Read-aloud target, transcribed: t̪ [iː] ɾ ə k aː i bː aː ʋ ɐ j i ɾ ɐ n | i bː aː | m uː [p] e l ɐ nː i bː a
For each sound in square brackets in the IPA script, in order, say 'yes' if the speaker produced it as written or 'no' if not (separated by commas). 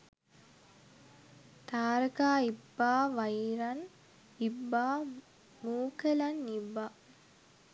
no, no